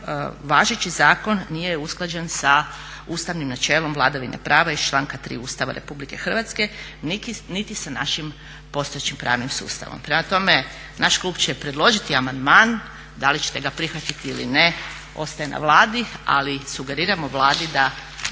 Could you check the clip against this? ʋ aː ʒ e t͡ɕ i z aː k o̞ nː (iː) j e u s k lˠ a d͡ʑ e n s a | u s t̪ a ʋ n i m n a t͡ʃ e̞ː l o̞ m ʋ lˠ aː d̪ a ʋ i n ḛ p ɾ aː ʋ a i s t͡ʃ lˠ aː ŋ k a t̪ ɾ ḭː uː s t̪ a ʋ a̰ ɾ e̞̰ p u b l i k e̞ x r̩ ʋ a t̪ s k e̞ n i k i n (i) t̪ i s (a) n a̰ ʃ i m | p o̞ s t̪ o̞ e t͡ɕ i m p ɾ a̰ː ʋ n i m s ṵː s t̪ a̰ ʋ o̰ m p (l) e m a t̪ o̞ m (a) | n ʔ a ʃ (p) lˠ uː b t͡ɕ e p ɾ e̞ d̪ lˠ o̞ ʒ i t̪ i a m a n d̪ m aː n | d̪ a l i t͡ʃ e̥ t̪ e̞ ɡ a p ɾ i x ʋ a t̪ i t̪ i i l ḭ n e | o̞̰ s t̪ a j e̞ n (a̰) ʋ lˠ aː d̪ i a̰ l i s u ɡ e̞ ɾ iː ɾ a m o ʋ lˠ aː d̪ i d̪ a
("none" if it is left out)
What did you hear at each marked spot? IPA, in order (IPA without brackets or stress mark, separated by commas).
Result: i, i, a, ɾ, e, k, a̰